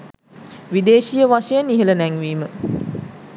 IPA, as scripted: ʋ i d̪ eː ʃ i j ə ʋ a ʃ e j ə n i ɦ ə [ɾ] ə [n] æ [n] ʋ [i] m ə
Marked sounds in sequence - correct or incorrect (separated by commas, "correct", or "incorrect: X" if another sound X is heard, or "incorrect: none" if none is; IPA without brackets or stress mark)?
incorrect: l, correct, incorrect: ŋ, incorrect: iː